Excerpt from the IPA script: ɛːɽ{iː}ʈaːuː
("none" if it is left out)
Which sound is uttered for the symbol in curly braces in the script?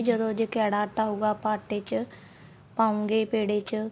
aː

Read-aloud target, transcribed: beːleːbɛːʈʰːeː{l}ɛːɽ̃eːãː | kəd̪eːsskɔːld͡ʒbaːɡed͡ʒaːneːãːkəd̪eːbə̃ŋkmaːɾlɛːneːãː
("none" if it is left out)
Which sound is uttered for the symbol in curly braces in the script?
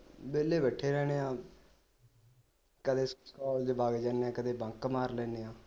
ɾ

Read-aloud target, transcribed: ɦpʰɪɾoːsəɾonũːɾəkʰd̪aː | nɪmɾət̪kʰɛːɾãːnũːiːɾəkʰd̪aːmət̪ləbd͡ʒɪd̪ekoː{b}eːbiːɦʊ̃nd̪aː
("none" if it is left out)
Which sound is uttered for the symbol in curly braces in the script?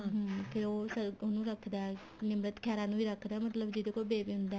b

